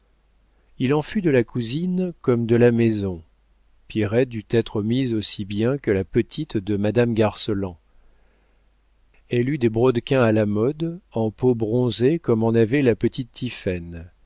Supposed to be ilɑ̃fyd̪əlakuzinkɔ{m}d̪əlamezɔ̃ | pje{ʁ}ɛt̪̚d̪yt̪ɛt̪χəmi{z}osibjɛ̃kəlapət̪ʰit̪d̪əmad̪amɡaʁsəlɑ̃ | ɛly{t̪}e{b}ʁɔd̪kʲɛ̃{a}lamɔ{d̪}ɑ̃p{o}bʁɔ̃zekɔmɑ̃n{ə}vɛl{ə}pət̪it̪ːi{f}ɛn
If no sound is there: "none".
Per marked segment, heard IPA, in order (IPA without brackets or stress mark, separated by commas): m, ʁ, z, d̪, b, a, d̪, o, a, a, f